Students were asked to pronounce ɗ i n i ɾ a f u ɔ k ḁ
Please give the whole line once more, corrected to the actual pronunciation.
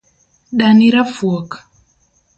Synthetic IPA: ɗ a n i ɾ a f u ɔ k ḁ